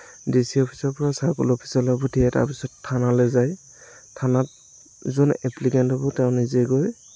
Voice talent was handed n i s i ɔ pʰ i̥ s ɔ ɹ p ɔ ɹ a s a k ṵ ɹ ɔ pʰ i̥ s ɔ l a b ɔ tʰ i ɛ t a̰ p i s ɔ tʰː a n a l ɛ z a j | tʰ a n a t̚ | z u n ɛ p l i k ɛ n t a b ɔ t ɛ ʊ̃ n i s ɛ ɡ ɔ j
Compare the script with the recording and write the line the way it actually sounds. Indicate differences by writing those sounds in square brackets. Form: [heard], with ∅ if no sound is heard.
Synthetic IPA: [d] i s i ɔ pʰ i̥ s ɔ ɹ p ɔ ɹ a s a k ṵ [l] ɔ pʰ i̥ s ɔ l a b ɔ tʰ i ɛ t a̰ p i s ɔ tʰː a n a l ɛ z a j | tʰ a n a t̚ | z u n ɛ p l i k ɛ n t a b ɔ t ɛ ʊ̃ n i [z] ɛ ɡ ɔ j